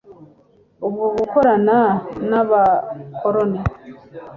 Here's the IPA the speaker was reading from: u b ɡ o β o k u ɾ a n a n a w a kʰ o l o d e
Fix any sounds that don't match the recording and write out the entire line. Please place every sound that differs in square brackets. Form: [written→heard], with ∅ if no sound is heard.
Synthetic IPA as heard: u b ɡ o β [o→u] k [u→o] ɾ a n a n a [w→β] a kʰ o [l→ɾ] o [d→n] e